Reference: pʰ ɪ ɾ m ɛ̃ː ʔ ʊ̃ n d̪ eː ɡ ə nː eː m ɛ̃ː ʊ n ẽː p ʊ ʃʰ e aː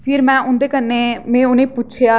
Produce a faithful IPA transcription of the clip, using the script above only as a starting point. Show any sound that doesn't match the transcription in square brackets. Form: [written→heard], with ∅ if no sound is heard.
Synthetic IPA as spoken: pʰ ɪ ɾ m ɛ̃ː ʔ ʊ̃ n d̪ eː [ɡ→k] ə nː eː m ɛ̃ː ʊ n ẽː p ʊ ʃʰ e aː